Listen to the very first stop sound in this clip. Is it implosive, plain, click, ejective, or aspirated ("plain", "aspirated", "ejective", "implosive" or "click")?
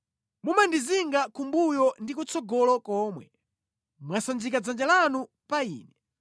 plain